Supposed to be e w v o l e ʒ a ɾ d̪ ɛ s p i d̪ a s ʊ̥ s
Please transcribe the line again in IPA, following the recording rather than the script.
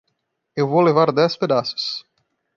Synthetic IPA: e w v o l e v a ɾ d̪ ɛ s p e d̪ a s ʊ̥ s